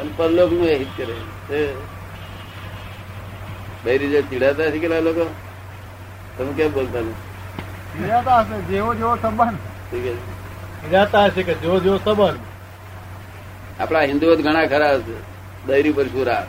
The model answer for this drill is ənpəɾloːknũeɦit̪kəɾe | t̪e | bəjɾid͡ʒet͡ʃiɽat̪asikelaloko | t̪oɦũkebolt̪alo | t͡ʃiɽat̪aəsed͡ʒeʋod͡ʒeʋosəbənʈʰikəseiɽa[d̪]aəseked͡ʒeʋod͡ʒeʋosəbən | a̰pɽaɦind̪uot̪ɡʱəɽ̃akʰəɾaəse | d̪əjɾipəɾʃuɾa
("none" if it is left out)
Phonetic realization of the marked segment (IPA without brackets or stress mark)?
t̪